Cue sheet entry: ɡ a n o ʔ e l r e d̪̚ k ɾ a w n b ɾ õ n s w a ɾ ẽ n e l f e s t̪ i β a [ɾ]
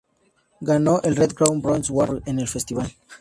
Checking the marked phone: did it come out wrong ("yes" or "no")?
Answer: yes